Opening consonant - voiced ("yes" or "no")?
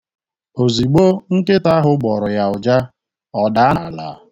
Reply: yes